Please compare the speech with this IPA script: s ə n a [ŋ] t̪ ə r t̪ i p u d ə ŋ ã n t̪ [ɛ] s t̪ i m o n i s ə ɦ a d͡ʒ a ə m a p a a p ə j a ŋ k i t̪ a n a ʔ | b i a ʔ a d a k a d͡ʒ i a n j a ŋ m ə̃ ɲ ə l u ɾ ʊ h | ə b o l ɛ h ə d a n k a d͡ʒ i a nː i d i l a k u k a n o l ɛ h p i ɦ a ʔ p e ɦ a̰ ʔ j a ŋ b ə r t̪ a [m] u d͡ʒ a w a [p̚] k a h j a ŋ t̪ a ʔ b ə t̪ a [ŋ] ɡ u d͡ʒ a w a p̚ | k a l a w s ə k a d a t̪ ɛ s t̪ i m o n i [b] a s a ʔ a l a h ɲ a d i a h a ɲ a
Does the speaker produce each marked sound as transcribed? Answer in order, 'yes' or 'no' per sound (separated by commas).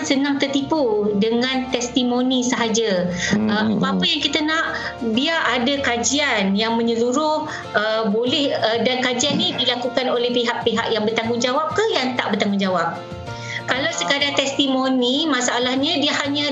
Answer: yes, yes, no, yes, yes, no